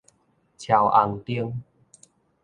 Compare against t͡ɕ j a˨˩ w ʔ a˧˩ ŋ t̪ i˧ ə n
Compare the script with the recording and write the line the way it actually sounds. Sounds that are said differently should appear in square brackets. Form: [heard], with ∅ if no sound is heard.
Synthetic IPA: [t͡ɕʰ] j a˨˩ w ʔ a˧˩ ŋ t̪ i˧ ə [ŋ]